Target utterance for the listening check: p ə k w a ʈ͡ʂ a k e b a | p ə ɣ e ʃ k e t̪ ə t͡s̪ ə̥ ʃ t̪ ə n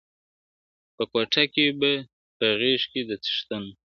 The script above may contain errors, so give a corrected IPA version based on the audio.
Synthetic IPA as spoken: p ə k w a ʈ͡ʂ a k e b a | p ə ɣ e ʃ k e d̪ ə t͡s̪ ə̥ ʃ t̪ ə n